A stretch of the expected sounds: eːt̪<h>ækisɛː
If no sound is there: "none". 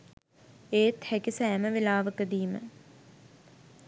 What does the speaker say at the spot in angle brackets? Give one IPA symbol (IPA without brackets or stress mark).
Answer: h